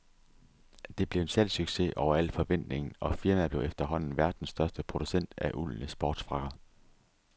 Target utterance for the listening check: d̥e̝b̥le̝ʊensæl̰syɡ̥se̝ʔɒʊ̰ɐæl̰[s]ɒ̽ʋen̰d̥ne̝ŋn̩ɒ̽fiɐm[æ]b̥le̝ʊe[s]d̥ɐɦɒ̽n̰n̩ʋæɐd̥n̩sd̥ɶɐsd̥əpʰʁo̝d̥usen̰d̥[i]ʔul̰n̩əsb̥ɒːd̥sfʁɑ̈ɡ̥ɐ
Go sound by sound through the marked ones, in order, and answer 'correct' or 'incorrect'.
incorrect: f, correct, incorrect: f, incorrect: æ

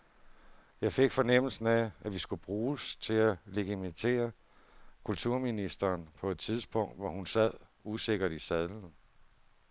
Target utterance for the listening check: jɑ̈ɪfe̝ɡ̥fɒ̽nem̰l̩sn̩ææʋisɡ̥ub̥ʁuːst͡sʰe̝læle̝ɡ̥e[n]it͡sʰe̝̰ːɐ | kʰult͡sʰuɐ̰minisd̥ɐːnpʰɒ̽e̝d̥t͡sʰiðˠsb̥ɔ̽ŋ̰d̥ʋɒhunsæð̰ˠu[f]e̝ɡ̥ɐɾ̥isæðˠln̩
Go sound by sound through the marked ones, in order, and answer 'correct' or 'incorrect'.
incorrect: m, incorrect: s

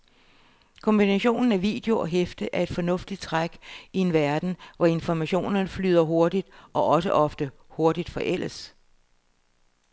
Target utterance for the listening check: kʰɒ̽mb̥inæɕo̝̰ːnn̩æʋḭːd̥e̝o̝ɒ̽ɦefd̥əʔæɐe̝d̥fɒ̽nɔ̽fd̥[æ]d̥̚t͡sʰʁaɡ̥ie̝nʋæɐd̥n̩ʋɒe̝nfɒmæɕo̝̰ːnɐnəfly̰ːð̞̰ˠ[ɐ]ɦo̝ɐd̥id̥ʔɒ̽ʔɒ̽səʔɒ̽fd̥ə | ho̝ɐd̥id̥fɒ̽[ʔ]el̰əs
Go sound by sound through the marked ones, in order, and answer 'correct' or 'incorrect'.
incorrect: i, correct, correct

